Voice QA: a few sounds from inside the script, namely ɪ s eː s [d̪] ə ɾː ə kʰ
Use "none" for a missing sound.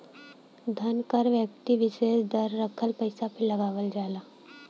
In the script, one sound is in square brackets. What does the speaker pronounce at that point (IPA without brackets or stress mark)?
d̪